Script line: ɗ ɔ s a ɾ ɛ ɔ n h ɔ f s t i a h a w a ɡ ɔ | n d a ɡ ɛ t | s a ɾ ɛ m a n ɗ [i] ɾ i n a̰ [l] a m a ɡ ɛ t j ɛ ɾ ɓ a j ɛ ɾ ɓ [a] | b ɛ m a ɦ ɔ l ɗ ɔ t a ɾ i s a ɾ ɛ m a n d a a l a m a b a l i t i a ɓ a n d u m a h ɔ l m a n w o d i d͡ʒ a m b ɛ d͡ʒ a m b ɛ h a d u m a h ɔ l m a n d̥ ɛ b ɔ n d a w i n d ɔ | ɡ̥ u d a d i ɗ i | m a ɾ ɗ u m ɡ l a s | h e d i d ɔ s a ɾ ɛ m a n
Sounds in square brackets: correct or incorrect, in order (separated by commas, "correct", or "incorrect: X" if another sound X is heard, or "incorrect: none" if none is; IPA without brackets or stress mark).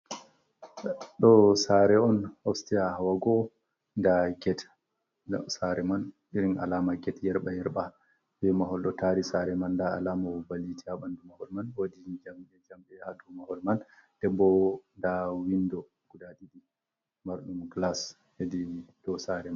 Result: correct, correct, correct